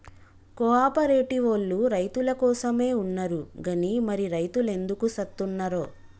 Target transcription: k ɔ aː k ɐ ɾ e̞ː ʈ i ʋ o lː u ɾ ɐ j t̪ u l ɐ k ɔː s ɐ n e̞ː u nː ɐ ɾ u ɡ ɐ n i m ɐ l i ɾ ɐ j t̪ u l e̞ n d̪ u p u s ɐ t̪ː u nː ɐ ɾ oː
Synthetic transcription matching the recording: k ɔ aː p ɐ ɾ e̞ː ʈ i ʋ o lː u ɾ ɐ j t̪ u l ɐ k ɔː s ɐ m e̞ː u nː ɐ ɾ u ɡ ɐ n i m ɐ ɾ i ɾ ɐ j t̪ u l e̞ n d̪ u k u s ɐ t̪ː u nː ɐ ɾ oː